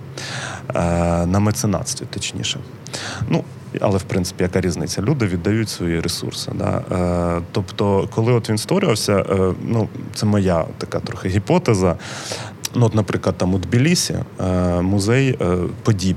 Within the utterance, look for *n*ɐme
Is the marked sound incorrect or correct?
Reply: correct